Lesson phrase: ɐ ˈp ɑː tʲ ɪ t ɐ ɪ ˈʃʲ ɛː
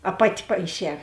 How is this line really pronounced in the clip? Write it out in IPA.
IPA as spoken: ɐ ˈp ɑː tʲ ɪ p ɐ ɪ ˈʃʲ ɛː